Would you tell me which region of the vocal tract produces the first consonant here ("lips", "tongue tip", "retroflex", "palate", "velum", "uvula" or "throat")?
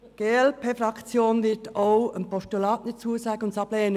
velum